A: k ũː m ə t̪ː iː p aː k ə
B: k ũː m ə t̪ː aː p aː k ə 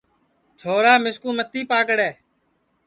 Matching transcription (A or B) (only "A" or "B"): A